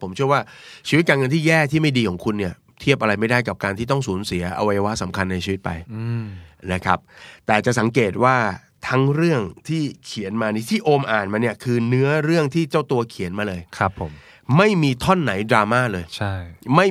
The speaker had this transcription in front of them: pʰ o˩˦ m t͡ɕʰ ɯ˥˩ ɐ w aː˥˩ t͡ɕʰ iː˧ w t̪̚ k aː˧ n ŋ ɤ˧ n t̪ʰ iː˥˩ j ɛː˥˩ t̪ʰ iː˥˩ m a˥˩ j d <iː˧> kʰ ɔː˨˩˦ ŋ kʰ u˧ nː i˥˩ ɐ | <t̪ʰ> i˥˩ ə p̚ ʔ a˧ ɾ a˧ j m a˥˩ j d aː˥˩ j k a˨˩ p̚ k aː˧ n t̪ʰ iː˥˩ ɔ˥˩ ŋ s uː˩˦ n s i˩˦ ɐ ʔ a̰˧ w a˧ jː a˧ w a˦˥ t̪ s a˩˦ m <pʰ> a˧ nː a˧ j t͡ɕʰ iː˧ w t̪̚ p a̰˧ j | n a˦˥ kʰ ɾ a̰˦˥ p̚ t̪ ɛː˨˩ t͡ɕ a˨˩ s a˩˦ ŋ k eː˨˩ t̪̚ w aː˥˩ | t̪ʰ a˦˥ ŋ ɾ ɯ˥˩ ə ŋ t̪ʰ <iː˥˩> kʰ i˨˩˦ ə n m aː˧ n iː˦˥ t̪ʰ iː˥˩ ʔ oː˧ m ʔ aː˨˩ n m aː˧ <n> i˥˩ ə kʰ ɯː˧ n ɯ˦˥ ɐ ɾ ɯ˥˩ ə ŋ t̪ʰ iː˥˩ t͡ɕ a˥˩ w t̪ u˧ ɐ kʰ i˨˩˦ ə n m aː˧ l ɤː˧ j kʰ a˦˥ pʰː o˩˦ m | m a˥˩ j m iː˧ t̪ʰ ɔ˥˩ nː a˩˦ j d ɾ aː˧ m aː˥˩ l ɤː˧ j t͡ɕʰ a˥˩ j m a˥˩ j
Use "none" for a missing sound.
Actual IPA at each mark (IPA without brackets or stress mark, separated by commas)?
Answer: iː˧, t̪ʰ, kʰ, iː˥˩, n